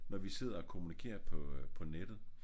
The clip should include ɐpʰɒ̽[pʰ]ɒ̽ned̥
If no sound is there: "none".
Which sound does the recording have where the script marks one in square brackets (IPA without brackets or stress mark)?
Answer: pʰ